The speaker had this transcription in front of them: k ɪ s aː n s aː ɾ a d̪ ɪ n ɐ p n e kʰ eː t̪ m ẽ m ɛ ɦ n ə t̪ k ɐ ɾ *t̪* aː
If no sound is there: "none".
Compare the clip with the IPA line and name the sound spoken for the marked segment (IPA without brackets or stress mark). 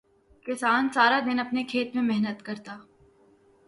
t̪